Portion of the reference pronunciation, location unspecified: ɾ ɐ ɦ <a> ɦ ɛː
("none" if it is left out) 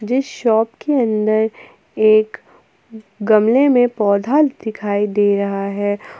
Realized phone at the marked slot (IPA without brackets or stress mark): a